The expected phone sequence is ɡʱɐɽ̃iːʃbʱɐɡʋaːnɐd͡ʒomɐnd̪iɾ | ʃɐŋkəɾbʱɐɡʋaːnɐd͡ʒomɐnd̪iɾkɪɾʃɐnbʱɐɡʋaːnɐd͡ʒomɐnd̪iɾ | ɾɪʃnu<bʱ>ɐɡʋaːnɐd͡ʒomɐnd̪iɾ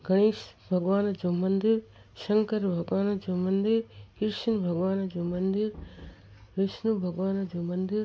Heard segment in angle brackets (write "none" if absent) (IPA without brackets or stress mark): bʱ